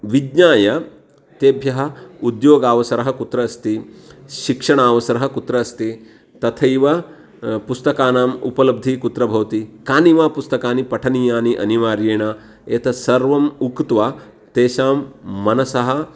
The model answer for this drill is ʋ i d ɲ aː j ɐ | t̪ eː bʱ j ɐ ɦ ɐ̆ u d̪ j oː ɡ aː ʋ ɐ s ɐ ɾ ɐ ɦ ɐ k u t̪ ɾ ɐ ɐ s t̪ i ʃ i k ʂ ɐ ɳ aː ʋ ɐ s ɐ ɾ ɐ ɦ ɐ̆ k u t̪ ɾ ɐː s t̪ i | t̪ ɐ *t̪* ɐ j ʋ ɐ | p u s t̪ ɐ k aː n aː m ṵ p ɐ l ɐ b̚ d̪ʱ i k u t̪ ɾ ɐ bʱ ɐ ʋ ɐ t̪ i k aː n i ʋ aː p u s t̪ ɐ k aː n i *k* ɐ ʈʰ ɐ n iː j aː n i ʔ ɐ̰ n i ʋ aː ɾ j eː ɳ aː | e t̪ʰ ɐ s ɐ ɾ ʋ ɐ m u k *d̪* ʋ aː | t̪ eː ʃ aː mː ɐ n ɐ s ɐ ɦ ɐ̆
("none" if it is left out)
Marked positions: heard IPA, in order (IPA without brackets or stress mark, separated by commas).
t̪ʰ, p, t̪